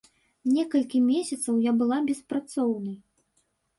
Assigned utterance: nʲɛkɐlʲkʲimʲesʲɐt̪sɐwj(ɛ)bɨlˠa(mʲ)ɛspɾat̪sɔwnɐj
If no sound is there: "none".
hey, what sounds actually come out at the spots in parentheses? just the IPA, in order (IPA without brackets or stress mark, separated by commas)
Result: a, bʲ